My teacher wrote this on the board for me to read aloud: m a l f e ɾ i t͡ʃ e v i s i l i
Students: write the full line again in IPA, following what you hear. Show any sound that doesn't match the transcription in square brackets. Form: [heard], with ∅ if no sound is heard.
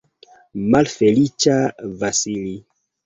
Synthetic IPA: m a l f e [l] i t͡ʃ [a] v [a] s i l i